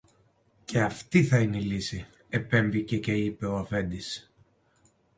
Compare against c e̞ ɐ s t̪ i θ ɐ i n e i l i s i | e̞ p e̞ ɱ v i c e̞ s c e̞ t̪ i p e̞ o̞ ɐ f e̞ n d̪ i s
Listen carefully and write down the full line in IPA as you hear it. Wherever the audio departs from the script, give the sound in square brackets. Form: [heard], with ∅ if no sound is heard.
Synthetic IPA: c e̞ ɐ [f] t̪ i θ ɐ i n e i l i s i | e̞ p e̞ ɱ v i c e̞ [∅] c e̞ [∅] i p e̞ o̞ ɐ f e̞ n d̪ i s